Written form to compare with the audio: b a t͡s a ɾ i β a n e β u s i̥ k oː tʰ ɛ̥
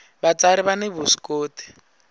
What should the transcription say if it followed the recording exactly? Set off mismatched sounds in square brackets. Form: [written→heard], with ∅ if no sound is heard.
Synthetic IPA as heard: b a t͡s a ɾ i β a n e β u s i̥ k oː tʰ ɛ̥